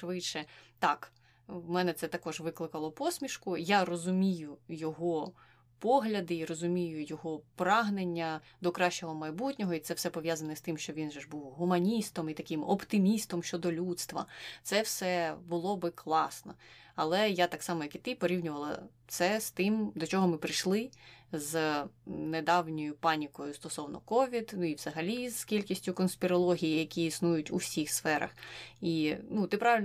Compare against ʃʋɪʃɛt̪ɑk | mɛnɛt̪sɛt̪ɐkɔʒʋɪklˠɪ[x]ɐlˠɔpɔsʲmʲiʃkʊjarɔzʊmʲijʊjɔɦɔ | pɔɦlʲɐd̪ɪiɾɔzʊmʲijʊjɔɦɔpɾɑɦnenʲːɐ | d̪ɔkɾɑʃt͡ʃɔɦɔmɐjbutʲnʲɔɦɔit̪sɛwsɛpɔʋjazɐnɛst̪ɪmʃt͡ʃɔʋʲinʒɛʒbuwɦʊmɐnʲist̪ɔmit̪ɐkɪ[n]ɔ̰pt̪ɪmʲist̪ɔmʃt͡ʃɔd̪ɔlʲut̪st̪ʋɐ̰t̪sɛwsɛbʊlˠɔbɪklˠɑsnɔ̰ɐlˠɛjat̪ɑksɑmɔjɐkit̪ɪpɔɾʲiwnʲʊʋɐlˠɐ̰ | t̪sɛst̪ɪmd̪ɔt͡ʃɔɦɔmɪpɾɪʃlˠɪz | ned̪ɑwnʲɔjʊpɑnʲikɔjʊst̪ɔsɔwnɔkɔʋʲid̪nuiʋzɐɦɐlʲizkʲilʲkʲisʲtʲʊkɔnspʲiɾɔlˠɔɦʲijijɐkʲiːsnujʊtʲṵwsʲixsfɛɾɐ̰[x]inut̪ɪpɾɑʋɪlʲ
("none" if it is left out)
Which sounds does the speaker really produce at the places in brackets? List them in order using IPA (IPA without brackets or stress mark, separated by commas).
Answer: k, m, x